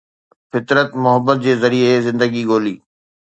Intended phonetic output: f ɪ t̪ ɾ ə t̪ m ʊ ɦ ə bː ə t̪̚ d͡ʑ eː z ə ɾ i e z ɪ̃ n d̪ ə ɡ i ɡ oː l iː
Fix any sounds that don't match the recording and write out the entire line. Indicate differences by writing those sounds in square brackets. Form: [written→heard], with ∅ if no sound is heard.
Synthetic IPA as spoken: f ɪ t̪ ɾ ə t̪ m ʊ ɦ ə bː ə t̪̚ d͡ʑ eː z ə ɾ i e z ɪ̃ n d̪ ə ɡ i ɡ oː l iː